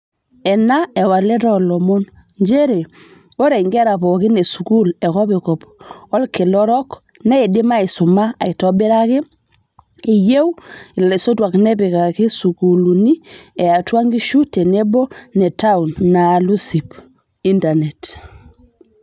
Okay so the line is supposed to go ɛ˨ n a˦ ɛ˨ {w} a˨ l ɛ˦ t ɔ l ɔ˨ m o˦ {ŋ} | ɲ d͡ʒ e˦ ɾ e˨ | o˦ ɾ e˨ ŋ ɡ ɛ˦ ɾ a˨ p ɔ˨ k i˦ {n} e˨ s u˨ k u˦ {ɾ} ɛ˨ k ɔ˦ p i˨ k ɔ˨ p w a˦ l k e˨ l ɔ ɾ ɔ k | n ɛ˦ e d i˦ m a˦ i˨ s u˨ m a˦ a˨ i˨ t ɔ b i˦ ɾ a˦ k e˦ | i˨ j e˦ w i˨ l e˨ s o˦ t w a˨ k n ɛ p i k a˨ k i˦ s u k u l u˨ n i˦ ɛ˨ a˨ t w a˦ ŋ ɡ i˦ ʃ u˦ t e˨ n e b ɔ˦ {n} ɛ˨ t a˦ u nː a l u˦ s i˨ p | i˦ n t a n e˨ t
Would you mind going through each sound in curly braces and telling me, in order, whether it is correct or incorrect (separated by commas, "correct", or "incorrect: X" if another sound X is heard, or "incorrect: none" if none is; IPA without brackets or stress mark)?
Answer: correct, incorrect: n, correct, incorrect: l, correct